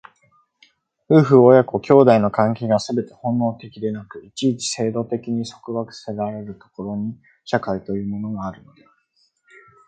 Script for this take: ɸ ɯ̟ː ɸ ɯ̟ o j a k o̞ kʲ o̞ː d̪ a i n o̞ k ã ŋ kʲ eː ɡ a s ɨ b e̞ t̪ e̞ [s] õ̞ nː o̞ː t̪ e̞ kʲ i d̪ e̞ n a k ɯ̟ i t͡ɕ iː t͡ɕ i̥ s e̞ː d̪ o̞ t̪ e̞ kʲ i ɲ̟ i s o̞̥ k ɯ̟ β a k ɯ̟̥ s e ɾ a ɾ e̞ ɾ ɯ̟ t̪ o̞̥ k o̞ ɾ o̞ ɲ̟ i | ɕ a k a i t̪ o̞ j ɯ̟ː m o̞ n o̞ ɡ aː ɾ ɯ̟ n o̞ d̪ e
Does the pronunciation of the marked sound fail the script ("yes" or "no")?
yes